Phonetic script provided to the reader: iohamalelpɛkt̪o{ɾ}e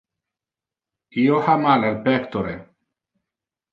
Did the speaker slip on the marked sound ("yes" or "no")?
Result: no